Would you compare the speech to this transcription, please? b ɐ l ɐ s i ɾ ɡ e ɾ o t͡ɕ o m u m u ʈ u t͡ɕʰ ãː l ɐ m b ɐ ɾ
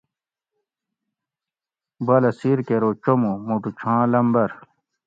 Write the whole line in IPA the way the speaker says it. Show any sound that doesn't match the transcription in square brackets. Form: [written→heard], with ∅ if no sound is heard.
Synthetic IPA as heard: b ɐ l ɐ s i ɾ [ɡ→k] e ɾ o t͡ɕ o m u m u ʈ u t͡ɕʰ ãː l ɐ m b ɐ ɾ

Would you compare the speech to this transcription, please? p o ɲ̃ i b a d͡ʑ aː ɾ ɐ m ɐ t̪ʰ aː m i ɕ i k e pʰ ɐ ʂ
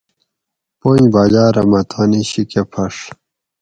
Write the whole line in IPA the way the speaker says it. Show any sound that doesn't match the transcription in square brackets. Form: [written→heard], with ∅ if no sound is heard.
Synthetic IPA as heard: p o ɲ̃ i b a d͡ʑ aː ɾ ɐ m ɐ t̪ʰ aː [m→n] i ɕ i k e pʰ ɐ ʂ

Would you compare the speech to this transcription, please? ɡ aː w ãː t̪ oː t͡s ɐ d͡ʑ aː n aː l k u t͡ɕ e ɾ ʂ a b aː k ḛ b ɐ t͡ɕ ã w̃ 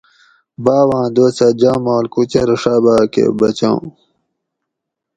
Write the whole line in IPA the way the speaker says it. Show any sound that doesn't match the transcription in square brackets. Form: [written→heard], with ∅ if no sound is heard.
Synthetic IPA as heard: [ɡ→b] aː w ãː [t̪→d̪] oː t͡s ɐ d͡ʑ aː [n→m] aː l k u t͡ɕ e ɾ ʂ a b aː k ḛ b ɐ t͡ɕ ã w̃

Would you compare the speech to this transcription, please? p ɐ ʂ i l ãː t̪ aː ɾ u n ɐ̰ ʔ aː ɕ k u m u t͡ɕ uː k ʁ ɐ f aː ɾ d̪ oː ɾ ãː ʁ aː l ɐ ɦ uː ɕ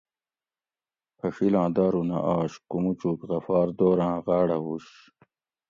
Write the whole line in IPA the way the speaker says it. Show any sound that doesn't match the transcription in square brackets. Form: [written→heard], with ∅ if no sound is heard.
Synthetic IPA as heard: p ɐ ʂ i l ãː [t̪→d̪] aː ɾ u n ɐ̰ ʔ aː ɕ k u m u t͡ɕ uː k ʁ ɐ f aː ɾ d̪ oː ɾ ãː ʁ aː [l→ɽ] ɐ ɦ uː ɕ

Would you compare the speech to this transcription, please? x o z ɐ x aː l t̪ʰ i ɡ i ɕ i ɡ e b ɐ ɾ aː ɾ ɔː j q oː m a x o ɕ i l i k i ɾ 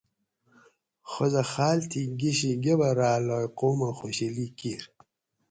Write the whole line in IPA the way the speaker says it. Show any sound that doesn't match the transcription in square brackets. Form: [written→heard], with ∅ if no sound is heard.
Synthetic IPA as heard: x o z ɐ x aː l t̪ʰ i ɡ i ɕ i ɡ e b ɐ ɾ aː [ɾ→l] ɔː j q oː m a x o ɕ i l i k i ɾ

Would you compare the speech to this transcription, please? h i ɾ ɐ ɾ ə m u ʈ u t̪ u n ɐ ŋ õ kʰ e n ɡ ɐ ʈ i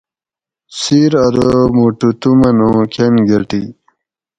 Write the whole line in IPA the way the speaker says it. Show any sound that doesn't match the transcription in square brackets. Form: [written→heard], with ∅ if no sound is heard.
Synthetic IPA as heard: [h→s] i ɾ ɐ ɾ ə m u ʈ u t̪ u [n→m] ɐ [ŋ→n] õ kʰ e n ɡ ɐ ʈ i

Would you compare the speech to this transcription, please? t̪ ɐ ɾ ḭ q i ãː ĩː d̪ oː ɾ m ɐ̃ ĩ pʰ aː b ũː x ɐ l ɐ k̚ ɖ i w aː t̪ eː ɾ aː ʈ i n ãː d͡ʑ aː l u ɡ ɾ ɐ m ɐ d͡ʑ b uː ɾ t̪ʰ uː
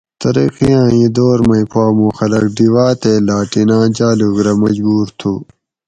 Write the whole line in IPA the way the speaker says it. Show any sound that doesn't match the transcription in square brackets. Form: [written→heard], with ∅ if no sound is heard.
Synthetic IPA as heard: t̪ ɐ ɾ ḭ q i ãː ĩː d̪ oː ɾ m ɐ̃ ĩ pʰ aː [b→m] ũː x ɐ l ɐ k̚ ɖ i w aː t̪ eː [ɾ→l] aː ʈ i n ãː d͡ʑ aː l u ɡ ɾ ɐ m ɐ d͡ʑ b uː ɾ t̪ʰ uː

